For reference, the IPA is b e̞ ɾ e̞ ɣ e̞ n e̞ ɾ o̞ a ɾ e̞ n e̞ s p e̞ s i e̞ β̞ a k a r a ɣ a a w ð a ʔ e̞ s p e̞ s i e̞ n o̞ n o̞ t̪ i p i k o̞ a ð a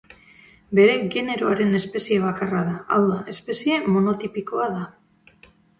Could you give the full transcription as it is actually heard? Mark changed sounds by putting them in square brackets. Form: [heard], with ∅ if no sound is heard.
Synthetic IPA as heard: b e̞ ɾ e̞ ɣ e̞ n e̞ ɾ o̞ a ɾ e̞ n e̞ s p e̞ s i e̞ β̞ a k a r a [ð] a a w ð a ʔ e̞ s p e̞ s i e̞ [m] o̞ n o̞ t̪ i p i k o̞ a ð a